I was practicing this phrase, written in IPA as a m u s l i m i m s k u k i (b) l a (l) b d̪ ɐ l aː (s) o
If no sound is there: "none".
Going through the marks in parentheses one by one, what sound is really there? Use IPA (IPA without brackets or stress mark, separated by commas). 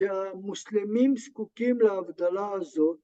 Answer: m, none, z